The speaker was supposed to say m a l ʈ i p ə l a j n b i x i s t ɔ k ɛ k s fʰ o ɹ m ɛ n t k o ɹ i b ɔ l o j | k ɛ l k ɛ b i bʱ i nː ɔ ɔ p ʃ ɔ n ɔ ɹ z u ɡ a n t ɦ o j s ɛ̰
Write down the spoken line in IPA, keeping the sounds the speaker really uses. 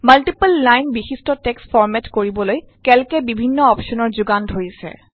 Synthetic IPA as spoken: m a l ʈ i p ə lː a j n b i x i s t ɔ t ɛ k s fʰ ɔ ɹ m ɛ t k o ɹ i b ɔ l o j | k ɛ l k ɛ b i bʱ i nː ɔ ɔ p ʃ ɔ n ɔ ɹ z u ɡ a n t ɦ o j s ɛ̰